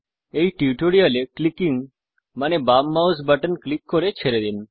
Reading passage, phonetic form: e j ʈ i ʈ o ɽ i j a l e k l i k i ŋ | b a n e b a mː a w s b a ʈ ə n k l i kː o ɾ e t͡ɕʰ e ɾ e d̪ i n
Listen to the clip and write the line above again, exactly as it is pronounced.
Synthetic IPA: e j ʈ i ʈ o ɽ i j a l e k l i k i ŋ | m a n e b a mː a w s b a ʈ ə n k l i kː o ɾ e t͡ɕʰ e ɾ e d̪ i n